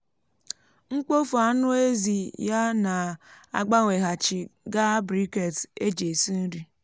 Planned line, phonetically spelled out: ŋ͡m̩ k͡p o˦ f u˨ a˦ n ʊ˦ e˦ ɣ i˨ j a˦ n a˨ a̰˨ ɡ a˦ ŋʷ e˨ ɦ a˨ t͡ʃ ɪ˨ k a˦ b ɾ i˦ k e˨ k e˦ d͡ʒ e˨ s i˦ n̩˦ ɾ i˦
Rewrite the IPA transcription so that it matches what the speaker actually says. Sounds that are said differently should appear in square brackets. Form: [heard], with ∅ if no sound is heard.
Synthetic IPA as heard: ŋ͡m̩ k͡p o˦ f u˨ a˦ n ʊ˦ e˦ [z] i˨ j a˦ n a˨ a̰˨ [ɡ͡b] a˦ ŋʷ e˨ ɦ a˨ t͡ʃ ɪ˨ [ɡ] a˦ b ɾ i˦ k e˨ [t] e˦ d͡ʒ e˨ s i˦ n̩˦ ɾ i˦